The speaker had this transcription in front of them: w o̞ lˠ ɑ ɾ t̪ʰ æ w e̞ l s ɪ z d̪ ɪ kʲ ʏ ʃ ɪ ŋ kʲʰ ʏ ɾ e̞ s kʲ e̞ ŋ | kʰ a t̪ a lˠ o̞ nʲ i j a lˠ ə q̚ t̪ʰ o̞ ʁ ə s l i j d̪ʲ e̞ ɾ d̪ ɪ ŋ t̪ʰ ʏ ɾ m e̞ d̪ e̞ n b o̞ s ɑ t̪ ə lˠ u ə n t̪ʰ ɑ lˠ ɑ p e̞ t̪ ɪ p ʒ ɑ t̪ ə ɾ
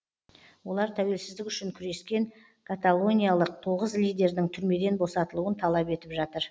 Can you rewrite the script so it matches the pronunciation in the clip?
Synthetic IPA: w o̞ lˠ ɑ ɾ t̪ʰ æ w e̞ l s ɪ z d̪ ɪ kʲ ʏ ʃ ɪ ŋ kʲʰ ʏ ɾ e̞ s kʲ e̞ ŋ | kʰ a t̪ a lˠ o̞ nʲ i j a lˠ ə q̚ t̪ʰ o̞ ʁ ə z l i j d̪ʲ e̞ ɾ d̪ ɪ ŋ t̪ʰ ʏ ɾ m e̞ d̪ e̞ n b o̞ s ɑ t̪ ə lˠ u ə n t̪ʰ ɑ lˠ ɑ p e̞ t̪ ɪ p ʒ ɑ t̪ ə ɾ